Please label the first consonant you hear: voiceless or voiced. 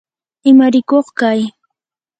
voiced